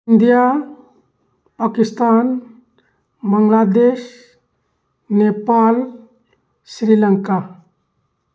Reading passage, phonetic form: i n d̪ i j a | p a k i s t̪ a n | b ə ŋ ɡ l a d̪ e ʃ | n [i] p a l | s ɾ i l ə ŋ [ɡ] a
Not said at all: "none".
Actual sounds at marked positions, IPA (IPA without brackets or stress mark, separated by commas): e, k